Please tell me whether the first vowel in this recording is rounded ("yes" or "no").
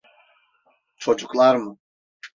yes